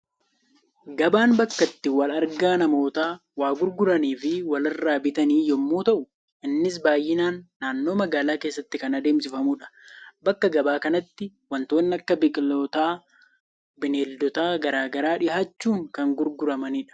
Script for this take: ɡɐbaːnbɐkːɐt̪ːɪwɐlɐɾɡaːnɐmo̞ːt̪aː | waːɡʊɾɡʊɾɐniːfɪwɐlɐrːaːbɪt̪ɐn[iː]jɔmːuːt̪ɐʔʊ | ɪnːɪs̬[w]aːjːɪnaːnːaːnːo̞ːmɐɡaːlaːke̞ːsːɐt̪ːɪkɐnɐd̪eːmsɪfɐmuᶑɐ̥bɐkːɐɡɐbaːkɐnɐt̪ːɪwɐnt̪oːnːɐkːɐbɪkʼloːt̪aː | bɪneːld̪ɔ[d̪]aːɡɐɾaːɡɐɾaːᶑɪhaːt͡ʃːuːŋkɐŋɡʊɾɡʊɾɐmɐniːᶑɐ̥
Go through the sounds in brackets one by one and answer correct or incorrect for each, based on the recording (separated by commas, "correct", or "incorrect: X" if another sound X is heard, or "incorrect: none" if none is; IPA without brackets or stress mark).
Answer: correct, incorrect: b, incorrect: t̪